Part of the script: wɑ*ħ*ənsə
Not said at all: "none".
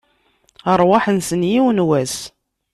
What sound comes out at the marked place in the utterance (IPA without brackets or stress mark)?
ħ